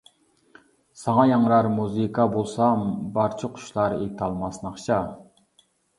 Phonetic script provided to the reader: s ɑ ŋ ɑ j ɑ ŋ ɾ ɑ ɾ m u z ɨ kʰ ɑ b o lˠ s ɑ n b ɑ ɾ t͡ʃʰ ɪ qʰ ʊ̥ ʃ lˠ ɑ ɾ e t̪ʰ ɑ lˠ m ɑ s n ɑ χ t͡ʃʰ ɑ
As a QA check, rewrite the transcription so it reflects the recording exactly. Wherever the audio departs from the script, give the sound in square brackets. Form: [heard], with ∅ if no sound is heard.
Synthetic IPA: s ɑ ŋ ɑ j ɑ ŋ ɾ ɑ ɾ m u z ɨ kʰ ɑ b o lˠ s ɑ [m] b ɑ ɾ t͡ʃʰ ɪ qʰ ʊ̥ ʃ lˠ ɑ ɾ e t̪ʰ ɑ lˠ m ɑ s n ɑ χ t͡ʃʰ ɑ

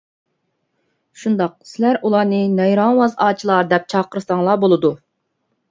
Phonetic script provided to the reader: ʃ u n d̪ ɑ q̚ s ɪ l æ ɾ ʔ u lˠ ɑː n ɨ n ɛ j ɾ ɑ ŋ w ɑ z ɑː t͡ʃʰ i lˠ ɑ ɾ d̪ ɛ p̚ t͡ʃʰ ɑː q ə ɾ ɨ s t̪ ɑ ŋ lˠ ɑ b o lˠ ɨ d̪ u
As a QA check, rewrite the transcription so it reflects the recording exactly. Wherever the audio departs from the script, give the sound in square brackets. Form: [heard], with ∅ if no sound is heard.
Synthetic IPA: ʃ u n d̪ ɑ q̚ s ɪ l æ ɾ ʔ u lˠ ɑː n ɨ n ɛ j ɾ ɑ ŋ w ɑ z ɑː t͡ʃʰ i lˠ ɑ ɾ d̪ ɛ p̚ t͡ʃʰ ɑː q ə ɾ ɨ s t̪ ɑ ŋ lˠ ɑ b o lˠ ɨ d̪ u

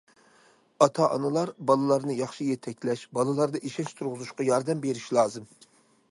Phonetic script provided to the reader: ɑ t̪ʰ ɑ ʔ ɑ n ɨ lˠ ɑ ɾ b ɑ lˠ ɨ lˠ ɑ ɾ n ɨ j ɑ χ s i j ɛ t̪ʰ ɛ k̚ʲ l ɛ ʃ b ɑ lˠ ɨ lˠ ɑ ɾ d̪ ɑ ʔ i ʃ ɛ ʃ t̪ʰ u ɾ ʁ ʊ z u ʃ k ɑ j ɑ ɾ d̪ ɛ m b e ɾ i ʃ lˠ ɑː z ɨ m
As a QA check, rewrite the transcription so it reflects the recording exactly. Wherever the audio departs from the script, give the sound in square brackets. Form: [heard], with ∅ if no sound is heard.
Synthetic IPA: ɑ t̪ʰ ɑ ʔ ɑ n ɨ lˠ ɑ ɾ b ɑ lˠ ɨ lˠ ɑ ɾ n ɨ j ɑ χ [ʃ] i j ɛ t̪ʰ ɛ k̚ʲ l ɛ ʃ b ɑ lˠ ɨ lˠ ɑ ɾ d̪ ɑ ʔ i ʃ ɛ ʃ t̪ʰ u ɾ ʁ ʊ z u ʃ [q] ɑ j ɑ ɾ d̪ ɛ m b e ɾ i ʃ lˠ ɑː z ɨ m

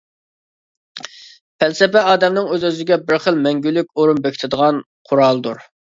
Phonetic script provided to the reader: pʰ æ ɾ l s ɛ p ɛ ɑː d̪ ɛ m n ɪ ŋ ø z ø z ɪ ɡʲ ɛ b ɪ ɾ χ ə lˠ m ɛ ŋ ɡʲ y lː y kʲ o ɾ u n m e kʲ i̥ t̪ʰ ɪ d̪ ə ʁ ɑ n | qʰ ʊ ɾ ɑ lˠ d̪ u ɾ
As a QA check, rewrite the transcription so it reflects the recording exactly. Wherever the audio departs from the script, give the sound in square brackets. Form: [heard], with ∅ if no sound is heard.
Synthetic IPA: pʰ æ [∅] l s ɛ p ɛ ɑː d̪ ɛ m n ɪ ŋ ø z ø z ɪ ɡʲ ɛ b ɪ ɾ χ ə lˠ m ɛ ŋ ɡʲ y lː y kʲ o ɾ u n [b] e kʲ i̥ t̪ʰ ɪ d̪ ə ʁ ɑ n | qʰ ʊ ɾ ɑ lˠ d̪ u ɾ

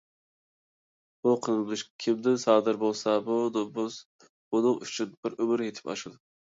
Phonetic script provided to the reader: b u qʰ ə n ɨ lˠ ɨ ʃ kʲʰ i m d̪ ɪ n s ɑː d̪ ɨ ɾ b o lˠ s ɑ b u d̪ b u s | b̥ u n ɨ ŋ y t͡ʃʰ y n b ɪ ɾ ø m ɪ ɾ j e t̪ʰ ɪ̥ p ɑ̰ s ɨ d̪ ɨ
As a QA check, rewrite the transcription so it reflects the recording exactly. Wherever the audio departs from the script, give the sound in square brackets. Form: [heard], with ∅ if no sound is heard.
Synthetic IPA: b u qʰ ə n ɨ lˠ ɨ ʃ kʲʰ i m d̪ ɪ n s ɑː d̪ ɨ ɾ b o lˠ s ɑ b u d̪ b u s | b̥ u n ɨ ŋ y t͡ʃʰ y n b ɪ ɾ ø m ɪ ɾ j e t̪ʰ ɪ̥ p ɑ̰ [ʃ] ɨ d̪ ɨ

